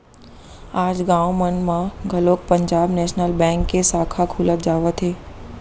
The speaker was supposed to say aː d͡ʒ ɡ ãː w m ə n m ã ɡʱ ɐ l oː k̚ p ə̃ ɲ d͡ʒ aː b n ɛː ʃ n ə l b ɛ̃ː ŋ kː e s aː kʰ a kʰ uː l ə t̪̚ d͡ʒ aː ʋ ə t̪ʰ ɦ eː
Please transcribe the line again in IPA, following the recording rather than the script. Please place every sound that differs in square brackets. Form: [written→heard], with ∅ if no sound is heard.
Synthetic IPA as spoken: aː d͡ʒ ɡ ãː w m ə n m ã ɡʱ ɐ l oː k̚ p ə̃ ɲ d͡ʒ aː b n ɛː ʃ n ə l b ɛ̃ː ŋ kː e s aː kʰ a kʰ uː l ə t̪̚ d͡ʒ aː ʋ ə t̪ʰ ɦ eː

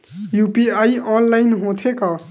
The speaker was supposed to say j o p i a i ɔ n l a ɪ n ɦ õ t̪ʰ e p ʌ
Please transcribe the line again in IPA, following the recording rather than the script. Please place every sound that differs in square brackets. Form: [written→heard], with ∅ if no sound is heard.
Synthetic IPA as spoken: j [o→u] p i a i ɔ n l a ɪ n ɦ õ t̪ʰ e [p→k] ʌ

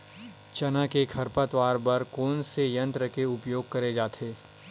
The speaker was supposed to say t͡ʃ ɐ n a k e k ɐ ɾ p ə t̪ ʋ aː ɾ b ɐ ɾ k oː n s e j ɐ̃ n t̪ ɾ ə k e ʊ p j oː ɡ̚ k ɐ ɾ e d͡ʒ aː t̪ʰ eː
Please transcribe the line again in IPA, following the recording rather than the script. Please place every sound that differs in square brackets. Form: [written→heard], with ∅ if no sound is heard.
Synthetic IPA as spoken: t͡ʃ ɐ n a k e [k→kʰ] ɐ ɾ p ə t̪ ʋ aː ɾ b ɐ ɾ k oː n s e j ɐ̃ n t̪ ɾ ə k e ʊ p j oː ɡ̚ k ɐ ɾ e d͡ʒ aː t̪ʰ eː

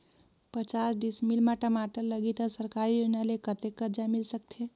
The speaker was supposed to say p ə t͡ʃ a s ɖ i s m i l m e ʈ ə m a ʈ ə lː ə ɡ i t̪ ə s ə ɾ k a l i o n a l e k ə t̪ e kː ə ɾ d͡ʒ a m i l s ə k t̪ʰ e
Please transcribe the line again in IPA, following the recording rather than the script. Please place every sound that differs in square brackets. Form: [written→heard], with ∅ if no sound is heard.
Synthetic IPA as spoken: p ə t͡ʃ a s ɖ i s m i l m [e→a] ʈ ə m a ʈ ə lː ə ɡ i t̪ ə s ə ɾ k a [l→ɾ] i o n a l e k ə t̪ e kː ə ɾ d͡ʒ a m i l s ə k t̪ʰ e

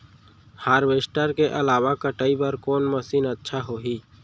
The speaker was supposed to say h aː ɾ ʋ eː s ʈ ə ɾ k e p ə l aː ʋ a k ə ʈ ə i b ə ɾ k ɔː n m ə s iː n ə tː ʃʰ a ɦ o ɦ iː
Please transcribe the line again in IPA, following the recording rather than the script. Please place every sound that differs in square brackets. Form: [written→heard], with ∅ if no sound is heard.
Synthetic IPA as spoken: h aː ɾ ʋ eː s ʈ ə ɾ k e [p→ʔ] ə l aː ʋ a k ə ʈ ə i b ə ɾ k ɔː n m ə s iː n ə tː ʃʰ a ɦ o ɦ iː

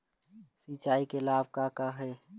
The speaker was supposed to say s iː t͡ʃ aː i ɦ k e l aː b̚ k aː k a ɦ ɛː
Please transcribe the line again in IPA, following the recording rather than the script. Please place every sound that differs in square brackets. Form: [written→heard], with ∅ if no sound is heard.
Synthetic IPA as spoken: s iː t͡ʃ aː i [ɦ→∅] k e l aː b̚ k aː k a ɦ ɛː

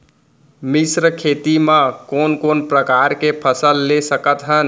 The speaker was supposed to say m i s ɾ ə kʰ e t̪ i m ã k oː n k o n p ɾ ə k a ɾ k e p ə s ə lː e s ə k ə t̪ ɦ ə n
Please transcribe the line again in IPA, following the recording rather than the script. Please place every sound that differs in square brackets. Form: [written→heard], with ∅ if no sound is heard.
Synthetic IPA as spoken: m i s ɾ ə kʰ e t̪ i m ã k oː n k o n p ɾ ə k a ɾ k e [p→pʰ] ə s ə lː e s ə k ə t̪ ɦ ə n

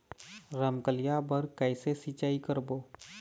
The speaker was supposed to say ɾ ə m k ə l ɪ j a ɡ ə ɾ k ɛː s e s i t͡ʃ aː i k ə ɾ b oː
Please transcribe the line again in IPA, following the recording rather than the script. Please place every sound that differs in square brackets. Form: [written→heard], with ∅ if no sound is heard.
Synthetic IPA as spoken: ɾ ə m k ə l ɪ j a [ɡ→b] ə ɾ k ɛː s e s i t͡ʃ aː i k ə ɾ b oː

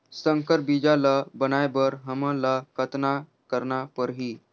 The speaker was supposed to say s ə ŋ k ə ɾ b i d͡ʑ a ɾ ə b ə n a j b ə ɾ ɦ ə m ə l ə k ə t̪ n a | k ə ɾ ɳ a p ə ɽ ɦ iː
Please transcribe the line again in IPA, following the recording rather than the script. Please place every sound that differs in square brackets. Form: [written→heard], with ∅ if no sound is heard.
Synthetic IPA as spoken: s ə ŋ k ə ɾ b i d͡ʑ a [ɾ→l] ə b ə n a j b ə ɾ ɦ ə m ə l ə k ə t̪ n a | k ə ɾ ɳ a p ə [ɽ→ɾ] ɦ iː

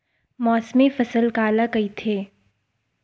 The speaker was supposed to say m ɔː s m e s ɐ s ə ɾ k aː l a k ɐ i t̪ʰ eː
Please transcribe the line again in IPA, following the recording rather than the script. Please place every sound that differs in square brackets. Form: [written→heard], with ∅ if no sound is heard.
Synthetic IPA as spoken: m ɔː s m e [s→f] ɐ s ə [ɾ→l] k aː l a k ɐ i t̪ʰ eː

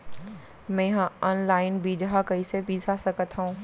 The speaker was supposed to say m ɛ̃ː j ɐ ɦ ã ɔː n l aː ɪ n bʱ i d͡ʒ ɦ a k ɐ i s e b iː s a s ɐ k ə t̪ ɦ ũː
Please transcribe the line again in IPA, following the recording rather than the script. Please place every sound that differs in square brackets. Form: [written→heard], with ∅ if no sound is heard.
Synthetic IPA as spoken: m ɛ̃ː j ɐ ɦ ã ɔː n l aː ɪ n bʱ i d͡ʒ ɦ a k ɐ i s e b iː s a s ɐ k ə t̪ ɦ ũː

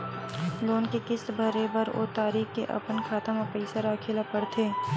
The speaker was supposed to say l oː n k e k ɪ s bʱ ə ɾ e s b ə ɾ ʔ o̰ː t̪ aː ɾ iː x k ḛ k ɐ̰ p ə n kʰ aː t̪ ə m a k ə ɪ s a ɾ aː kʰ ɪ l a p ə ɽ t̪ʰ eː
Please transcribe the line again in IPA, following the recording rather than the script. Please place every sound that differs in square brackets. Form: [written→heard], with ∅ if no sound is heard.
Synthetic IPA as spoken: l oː n k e k ɪ s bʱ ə ɾ e [s→∅] b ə ɾ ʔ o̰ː t̪ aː ɾ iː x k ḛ [k→ʔ] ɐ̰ p ə n kʰ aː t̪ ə m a [k→p] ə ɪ s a ɾ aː kʰ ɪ l a p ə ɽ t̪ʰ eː

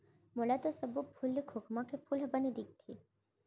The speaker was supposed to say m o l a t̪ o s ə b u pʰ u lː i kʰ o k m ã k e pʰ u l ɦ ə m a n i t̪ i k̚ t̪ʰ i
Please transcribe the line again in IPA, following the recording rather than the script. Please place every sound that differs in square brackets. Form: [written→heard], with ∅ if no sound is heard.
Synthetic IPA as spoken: m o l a t̪ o s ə b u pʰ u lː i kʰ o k m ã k e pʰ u l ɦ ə [m→b] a n i [t̪→d̪] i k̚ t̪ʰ i

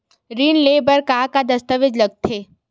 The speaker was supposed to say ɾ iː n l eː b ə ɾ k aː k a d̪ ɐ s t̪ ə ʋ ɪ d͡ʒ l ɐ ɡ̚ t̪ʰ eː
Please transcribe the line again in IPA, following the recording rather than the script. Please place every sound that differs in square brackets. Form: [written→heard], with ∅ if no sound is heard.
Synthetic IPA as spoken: ɾ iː n l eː b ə ɾ k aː k a d̪ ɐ s t̪ ə ʋ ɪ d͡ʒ l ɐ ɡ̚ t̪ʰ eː

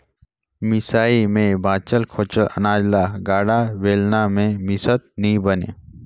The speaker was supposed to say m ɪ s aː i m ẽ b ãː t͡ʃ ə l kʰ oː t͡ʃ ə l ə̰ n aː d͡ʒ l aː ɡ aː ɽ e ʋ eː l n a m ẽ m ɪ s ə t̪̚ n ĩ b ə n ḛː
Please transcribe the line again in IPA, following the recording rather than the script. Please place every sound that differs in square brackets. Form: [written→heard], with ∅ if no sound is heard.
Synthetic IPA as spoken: m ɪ s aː i m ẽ b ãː t͡ʃ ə l kʰ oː t͡ʃ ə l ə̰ n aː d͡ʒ l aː ɡ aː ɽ [e→a] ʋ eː l n a m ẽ m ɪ s ə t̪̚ n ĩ b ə n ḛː

